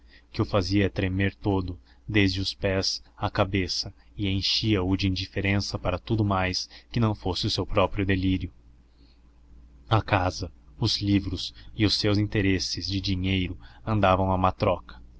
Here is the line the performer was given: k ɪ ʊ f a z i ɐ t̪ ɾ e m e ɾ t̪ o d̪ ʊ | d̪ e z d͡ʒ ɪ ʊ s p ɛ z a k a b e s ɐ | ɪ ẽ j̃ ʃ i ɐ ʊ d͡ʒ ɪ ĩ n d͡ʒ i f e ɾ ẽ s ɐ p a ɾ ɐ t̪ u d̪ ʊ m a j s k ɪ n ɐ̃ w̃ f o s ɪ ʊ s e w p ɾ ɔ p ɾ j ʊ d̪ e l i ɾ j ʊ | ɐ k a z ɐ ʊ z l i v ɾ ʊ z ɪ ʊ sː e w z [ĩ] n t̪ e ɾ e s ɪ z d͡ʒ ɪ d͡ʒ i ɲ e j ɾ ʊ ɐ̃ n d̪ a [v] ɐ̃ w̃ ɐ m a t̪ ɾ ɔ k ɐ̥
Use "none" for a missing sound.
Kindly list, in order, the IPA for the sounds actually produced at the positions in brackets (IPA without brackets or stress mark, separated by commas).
ĩ, v